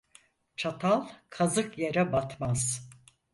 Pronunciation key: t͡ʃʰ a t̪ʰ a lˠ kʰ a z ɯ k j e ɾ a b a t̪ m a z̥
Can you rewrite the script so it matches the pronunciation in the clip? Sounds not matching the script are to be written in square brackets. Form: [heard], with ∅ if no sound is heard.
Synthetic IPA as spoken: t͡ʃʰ a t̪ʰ a lˠ kʰ a z ɯ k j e ɾ [ɛ] b a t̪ m a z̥